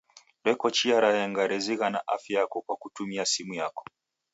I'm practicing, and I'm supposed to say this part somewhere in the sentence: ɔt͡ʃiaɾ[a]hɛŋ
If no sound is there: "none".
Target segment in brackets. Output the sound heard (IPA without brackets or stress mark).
a